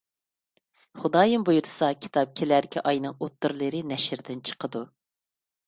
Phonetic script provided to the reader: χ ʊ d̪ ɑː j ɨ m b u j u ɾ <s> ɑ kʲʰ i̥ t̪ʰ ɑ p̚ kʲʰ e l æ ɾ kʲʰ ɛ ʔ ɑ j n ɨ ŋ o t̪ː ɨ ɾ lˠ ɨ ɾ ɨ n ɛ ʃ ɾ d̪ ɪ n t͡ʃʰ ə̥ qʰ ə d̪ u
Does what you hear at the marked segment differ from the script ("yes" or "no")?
no